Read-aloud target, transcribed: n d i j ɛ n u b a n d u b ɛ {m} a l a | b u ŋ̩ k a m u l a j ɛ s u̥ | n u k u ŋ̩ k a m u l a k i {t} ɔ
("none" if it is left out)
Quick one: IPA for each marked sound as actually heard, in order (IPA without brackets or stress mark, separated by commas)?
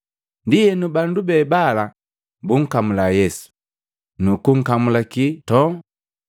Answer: b, t